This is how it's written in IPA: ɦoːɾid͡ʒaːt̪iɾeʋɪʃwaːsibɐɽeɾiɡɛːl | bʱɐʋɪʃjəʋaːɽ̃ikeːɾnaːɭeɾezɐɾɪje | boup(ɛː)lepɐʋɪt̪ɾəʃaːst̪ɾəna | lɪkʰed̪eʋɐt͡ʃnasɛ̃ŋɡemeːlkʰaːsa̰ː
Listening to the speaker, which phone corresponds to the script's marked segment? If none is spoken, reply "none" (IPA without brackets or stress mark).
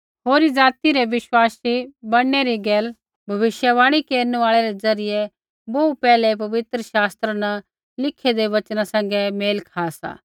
ɛː